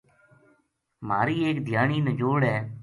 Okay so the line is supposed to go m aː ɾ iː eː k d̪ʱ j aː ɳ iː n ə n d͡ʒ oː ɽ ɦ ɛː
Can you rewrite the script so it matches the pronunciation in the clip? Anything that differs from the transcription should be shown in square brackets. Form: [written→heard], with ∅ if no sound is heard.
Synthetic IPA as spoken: m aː ɾ iː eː k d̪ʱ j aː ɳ iː n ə [n→∅] d͡ʒ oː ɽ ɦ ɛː